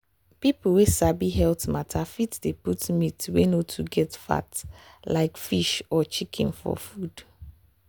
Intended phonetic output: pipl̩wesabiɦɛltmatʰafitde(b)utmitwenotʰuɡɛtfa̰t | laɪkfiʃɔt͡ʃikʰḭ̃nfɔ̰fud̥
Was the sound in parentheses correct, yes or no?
no